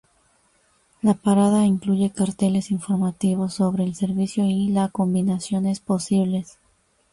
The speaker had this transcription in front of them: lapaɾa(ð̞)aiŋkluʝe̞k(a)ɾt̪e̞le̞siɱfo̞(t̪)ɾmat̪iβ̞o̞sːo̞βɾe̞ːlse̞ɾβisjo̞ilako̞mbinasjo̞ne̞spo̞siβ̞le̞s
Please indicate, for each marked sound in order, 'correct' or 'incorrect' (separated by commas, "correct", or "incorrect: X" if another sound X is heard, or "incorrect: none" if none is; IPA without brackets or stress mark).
correct, correct, incorrect: none